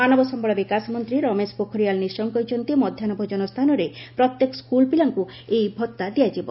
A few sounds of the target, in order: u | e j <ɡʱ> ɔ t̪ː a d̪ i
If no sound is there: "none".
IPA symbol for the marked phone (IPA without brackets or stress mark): bʱ